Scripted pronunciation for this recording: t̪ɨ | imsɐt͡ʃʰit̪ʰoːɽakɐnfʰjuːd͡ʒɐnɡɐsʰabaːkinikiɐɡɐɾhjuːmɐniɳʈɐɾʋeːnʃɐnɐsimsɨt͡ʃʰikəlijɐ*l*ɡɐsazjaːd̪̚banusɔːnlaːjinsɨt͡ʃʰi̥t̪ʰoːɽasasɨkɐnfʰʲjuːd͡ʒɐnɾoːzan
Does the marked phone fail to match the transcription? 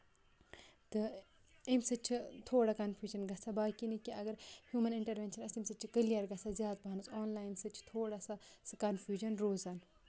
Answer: yes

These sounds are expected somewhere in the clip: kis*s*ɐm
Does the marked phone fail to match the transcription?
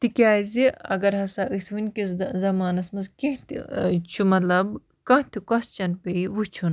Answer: yes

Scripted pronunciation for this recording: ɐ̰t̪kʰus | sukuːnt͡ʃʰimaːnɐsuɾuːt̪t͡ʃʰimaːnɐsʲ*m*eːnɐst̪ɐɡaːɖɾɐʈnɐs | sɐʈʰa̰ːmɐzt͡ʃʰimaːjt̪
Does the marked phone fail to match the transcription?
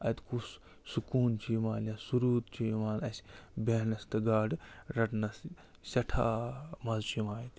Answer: yes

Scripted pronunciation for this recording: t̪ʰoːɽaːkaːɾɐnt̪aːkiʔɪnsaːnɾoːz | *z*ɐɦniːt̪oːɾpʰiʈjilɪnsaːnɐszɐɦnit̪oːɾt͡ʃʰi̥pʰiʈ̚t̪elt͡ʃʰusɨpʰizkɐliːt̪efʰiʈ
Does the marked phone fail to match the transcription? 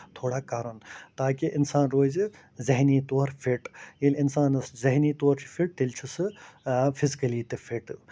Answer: no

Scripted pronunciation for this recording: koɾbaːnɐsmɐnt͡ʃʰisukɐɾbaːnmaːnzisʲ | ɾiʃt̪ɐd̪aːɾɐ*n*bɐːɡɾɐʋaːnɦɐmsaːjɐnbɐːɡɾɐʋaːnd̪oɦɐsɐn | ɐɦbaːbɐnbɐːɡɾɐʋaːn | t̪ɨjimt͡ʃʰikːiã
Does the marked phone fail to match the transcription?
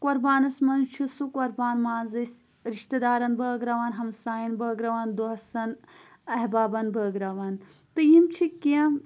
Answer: no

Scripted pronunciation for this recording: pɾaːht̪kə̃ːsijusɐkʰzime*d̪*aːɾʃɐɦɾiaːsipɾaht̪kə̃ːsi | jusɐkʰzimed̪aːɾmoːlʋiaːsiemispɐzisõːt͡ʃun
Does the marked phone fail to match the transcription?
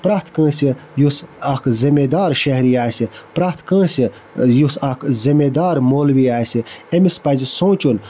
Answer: no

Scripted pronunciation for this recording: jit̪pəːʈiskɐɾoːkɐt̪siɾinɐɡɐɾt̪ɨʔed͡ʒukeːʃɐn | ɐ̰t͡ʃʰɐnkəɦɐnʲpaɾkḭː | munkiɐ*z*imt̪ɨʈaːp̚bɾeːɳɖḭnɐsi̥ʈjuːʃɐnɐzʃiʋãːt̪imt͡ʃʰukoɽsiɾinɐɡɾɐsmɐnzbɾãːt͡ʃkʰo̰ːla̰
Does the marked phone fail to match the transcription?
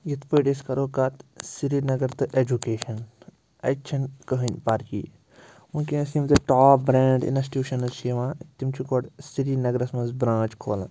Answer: yes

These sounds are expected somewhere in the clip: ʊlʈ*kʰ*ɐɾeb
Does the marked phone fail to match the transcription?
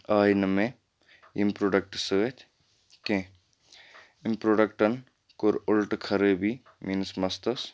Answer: no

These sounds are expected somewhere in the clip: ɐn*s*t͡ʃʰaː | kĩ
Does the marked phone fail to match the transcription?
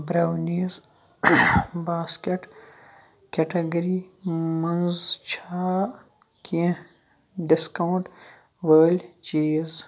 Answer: yes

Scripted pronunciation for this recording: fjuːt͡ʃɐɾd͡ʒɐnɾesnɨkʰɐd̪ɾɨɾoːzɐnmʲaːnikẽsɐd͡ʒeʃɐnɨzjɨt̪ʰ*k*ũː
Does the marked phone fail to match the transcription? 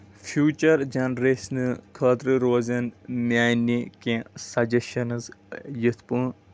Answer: yes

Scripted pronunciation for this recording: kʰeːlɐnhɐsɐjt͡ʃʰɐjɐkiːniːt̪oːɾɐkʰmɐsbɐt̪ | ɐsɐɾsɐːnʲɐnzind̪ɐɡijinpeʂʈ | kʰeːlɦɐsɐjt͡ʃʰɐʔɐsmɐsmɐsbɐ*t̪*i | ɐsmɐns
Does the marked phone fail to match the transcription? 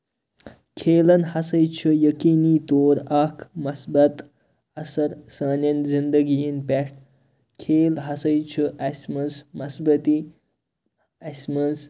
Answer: no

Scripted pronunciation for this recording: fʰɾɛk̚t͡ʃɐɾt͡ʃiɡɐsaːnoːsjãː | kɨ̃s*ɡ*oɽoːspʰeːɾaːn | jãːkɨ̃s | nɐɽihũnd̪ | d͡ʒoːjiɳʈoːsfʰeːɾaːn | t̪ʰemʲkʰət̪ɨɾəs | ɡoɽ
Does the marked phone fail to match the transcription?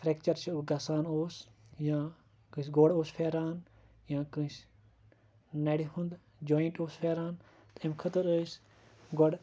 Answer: no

